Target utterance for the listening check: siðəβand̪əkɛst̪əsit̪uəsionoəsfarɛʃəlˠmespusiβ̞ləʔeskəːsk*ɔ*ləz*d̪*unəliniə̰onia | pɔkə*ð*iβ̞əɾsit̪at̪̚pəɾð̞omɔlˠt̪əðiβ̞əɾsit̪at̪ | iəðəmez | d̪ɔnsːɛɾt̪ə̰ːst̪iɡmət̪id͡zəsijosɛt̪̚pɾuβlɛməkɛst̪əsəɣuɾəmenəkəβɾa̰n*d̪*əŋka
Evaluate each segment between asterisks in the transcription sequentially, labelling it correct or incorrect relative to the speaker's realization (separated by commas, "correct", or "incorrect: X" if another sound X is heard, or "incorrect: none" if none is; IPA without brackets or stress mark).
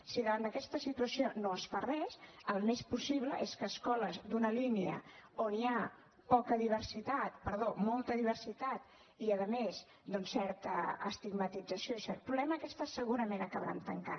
correct, correct, correct, incorrect: t̪